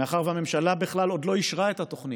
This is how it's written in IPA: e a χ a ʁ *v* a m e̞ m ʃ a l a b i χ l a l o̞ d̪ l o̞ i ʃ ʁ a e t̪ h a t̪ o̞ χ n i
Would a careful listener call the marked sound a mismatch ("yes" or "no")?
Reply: no